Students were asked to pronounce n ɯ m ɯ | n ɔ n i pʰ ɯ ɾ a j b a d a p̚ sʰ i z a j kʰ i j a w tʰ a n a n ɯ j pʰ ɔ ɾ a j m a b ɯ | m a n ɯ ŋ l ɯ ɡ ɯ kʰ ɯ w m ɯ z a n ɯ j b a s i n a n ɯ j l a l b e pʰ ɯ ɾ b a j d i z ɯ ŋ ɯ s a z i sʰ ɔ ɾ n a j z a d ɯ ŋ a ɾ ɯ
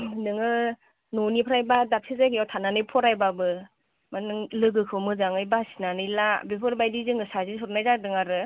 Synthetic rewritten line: n ɯ ŋ ɯ | n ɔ n i pʰ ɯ ɾ a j b a d a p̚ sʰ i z a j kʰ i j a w tʰ a n a n ɯ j pʰ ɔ ɾ a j b a b ɯ | m a n ɯ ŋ l ɯ ɡ ɯ kʰ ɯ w m ɯ z a ŋ ɯ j b a s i n a n ɯ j l a b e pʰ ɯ ɾ b a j d i z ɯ ŋ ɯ s a z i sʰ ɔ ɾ n a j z a d ɯ ŋ a ɾ ɯ